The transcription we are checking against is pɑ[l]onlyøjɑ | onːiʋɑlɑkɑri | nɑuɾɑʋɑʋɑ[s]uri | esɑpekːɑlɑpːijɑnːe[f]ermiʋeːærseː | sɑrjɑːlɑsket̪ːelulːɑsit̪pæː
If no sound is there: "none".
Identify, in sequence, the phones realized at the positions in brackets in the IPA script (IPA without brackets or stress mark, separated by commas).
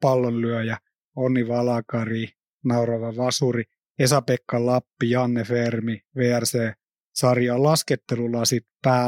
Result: lː, s, f